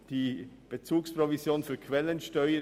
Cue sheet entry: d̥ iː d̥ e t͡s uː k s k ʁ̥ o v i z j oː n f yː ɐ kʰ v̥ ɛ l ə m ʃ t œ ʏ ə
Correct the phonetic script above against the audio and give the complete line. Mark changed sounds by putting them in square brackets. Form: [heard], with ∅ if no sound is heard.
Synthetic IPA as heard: d̥ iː [b̥] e t͡s uː k s [p] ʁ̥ o v i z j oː n f yː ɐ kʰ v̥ ɛ l ə [n] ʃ t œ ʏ ə